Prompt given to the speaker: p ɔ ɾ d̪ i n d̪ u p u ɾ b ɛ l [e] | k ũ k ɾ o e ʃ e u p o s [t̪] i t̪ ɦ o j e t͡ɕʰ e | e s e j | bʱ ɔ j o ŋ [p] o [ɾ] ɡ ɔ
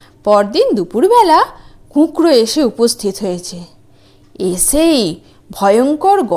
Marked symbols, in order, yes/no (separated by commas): no, no, no, yes